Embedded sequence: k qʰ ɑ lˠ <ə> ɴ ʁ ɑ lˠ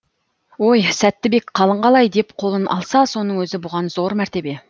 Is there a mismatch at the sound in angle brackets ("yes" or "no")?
no